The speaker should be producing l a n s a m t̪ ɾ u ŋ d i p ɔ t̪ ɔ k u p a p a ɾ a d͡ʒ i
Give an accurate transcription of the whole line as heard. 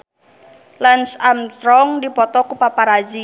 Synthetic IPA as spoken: l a n s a m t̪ ɾ ɔ ŋ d i p ɔ t̪ ɔ k u p a p a ɾ a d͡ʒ i